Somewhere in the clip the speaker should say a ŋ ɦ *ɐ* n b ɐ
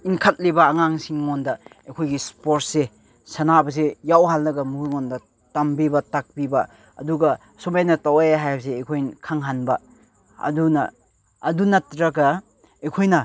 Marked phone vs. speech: incorrect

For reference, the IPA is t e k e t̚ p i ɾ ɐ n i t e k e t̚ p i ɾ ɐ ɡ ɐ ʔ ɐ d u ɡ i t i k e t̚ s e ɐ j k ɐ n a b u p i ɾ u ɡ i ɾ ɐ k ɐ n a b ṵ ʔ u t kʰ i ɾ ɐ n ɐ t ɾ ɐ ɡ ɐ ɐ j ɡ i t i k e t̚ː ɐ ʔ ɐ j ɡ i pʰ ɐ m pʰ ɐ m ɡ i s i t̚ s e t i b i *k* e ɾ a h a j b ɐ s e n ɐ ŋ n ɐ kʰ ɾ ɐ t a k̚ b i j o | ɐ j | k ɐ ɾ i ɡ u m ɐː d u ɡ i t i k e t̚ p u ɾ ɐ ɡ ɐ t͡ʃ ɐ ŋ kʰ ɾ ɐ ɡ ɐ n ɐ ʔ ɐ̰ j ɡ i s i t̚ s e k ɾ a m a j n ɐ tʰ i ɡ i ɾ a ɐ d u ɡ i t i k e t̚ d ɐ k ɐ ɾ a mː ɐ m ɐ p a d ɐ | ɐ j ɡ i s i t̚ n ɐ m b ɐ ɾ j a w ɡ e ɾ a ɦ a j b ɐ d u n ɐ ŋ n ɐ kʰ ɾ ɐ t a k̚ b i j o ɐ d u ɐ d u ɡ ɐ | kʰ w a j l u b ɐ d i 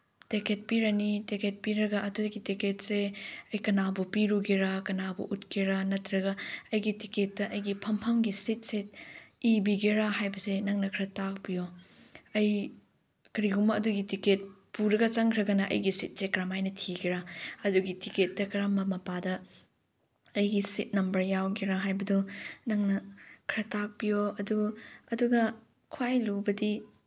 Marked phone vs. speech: incorrect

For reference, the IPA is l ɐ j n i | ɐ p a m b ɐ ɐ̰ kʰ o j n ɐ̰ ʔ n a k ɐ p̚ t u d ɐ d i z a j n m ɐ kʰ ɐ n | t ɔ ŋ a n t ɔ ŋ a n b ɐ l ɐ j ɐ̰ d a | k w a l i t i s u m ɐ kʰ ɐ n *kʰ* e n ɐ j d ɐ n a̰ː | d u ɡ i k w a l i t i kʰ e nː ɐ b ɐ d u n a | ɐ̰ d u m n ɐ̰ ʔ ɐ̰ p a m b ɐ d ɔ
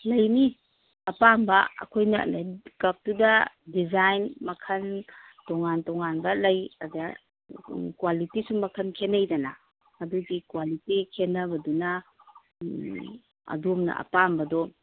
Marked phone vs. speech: correct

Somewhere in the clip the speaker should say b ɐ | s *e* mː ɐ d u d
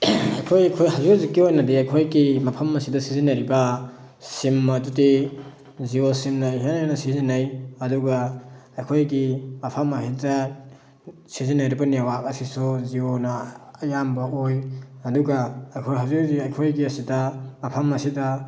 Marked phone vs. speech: incorrect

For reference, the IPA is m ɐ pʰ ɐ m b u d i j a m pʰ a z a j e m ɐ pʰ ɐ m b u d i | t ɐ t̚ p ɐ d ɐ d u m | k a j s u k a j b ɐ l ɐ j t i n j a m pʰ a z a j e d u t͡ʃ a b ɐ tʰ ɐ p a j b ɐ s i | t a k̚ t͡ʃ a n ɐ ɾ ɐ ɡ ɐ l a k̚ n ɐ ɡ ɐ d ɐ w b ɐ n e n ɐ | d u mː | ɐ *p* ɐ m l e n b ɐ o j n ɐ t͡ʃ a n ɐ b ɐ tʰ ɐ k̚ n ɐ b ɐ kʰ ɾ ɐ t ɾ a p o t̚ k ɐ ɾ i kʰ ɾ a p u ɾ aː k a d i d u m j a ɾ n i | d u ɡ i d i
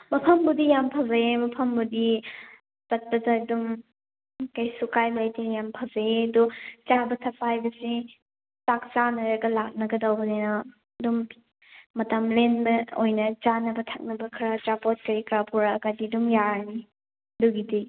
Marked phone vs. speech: incorrect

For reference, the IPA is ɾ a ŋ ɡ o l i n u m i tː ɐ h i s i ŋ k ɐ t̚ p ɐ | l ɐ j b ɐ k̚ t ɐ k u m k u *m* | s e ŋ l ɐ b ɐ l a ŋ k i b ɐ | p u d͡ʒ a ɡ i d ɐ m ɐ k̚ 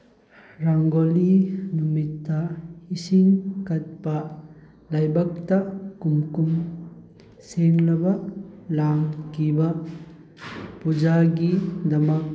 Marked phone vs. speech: correct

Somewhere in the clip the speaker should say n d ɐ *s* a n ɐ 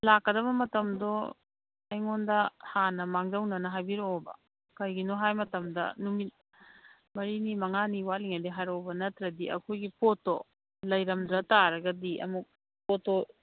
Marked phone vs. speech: incorrect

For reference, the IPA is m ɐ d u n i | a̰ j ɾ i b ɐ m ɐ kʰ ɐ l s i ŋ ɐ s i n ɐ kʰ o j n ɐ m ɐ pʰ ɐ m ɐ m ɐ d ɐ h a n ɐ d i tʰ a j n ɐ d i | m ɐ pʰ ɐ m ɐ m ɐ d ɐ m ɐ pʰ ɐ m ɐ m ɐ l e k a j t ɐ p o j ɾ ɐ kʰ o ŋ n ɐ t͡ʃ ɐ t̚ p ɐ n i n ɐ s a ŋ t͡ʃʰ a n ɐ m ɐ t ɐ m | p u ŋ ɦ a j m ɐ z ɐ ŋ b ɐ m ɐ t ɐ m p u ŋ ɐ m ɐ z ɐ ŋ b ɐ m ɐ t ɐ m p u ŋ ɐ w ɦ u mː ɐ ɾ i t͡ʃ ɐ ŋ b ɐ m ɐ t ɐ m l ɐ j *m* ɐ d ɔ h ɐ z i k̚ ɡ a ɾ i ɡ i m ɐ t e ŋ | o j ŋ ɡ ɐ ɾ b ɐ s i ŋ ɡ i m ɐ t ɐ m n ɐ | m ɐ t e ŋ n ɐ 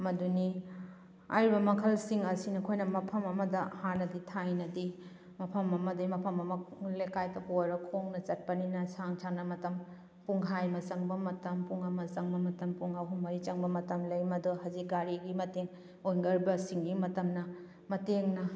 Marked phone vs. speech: correct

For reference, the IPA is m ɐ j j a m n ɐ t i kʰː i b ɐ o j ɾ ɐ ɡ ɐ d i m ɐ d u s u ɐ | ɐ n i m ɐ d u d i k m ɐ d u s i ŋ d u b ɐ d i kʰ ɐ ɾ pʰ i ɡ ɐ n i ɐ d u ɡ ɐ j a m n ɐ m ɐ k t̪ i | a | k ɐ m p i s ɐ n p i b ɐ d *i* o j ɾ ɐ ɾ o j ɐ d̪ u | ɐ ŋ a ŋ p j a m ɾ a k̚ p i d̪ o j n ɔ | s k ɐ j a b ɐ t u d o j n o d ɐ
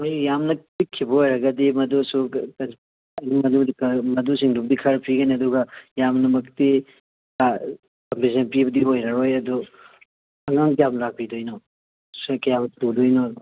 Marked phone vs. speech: correct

